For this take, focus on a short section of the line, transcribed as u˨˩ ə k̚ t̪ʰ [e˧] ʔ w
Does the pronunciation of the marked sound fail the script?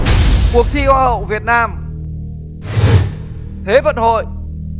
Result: yes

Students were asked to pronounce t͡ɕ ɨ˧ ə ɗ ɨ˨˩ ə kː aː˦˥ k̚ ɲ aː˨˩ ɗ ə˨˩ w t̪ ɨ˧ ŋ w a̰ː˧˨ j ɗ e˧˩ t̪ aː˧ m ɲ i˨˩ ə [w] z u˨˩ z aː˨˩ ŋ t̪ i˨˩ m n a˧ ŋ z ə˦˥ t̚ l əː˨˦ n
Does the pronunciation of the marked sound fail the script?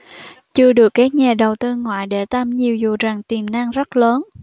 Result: no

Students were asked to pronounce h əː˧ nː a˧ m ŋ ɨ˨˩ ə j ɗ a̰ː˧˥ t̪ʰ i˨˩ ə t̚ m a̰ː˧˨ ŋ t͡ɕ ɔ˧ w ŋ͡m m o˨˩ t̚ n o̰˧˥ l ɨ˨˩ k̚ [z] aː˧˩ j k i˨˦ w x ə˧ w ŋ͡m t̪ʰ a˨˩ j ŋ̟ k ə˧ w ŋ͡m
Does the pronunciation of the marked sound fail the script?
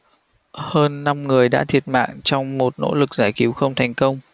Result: no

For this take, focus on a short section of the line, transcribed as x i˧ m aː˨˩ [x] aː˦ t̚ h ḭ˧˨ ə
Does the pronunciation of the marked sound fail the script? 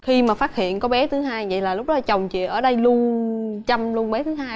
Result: yes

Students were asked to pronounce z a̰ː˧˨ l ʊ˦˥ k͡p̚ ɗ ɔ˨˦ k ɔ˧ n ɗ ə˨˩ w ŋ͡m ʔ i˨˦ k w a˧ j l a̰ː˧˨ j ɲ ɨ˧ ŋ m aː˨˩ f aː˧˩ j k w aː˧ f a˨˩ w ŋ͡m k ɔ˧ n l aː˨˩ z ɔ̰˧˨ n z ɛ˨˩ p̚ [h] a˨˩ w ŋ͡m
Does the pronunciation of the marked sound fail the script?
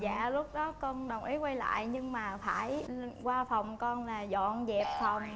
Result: yes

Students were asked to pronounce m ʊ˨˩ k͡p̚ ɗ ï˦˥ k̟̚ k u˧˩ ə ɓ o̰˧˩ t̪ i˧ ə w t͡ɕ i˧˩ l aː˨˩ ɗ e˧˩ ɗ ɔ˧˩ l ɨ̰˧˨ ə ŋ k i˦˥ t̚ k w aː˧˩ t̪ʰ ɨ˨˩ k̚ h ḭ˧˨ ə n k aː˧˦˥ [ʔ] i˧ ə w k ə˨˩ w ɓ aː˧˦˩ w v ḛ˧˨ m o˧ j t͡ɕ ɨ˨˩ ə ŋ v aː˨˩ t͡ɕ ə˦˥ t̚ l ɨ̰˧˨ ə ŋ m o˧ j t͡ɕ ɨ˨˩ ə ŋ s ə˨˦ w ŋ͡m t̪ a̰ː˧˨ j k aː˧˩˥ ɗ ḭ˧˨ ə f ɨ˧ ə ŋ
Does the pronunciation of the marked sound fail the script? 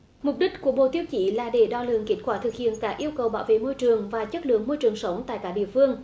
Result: no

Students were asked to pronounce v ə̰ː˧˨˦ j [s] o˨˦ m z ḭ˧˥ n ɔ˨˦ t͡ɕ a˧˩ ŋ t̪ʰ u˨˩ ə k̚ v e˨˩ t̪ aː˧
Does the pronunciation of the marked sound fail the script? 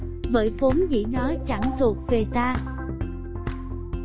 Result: yes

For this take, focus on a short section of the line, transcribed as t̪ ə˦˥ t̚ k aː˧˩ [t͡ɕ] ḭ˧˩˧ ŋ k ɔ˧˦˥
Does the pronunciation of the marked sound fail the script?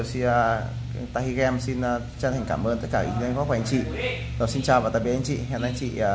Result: yes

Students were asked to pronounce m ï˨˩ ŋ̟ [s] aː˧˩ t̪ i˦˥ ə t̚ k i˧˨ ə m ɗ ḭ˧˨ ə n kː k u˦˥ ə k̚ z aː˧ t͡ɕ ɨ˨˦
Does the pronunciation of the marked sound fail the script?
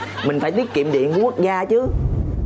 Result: yes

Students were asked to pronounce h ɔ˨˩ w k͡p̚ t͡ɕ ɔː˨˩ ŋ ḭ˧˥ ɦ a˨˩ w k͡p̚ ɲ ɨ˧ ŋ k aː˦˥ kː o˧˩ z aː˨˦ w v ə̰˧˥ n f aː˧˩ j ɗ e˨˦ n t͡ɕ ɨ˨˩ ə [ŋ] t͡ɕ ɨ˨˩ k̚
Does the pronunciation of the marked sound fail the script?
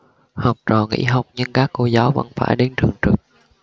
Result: no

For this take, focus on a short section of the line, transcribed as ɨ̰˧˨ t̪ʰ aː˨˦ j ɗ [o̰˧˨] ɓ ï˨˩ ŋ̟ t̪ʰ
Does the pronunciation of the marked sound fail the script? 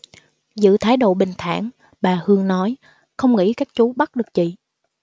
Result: no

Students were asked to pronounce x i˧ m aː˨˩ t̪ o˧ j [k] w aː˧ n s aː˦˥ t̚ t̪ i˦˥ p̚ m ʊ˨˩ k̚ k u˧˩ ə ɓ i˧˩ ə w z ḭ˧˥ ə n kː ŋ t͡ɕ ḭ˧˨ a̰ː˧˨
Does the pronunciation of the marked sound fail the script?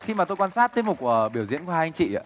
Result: no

